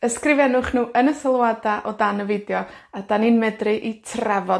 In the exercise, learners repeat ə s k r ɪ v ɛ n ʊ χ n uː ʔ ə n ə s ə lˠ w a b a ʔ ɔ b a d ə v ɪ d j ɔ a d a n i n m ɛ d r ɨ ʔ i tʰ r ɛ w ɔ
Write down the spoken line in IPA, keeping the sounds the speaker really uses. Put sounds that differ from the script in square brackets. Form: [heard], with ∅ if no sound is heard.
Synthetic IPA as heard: ə s k r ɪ v ɛ n ʊ χ n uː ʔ ə n ə s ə lˠ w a [d] a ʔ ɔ [d] a [n] ə v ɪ d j ɔ a d a n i n m ɛ d r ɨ ʔ i tʰ r ɛ [v] ɔ